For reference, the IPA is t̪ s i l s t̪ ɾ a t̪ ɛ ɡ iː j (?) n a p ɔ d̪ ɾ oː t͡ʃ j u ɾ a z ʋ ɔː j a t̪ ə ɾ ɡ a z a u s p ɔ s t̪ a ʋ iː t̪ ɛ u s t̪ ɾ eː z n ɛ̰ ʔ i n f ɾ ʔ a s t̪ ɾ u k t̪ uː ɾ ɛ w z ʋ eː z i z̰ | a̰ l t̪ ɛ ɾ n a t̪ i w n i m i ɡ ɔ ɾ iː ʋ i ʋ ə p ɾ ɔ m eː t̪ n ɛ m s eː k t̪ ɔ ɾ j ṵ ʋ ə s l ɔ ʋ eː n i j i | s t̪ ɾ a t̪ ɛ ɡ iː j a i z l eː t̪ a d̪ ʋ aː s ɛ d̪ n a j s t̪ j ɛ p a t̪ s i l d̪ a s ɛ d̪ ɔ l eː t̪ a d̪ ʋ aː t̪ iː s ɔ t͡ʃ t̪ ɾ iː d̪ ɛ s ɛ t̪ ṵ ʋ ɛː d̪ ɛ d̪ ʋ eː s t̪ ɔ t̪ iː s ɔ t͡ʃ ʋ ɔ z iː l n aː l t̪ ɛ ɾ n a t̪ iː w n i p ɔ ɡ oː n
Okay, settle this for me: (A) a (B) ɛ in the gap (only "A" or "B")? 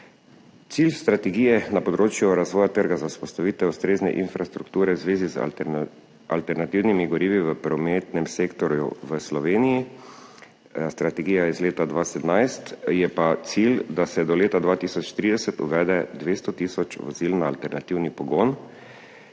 B